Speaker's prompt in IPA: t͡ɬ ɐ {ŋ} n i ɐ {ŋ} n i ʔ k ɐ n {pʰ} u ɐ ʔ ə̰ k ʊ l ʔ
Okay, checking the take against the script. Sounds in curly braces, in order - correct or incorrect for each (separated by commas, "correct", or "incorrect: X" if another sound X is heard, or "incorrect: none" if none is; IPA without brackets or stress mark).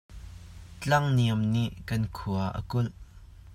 correct, incorrect: m, incorrect: kʰ